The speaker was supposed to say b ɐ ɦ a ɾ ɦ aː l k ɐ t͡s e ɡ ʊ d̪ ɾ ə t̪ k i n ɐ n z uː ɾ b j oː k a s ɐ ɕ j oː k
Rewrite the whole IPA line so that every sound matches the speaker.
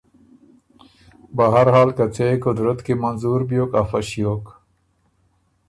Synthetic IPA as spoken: b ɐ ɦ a ɾ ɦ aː l k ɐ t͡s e k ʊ d̪ ɾ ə t̪ k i m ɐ n z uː ɾ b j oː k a f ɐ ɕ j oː k